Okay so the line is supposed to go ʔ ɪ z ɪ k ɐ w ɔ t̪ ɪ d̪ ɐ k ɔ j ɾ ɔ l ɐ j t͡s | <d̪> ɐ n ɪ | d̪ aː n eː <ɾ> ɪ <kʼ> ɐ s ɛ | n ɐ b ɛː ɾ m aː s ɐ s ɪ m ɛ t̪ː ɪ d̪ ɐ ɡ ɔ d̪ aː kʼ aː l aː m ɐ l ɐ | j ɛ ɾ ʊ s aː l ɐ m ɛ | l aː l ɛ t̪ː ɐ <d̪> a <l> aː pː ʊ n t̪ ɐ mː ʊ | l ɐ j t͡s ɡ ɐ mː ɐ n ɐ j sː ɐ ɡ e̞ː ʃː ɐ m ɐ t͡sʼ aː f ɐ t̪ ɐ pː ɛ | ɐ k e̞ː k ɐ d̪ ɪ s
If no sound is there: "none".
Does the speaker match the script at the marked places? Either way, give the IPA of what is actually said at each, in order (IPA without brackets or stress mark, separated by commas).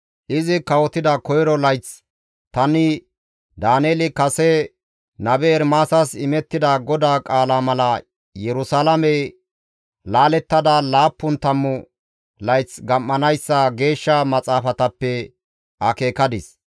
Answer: t̪, l, k, d̪, l